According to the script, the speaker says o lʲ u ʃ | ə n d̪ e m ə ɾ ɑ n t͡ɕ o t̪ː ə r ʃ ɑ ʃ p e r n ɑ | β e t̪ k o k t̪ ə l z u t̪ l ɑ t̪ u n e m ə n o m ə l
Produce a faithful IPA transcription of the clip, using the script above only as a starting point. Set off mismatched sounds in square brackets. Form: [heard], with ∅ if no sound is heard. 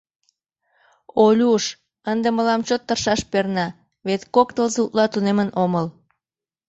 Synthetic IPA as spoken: o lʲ u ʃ | ə n d̪ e m ə [l] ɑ [m] t͡ɕ o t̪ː ə r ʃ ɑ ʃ p e r n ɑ | β e t̪ k o k t̪ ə l z u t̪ l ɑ t̪ u n e m ə n o m ə l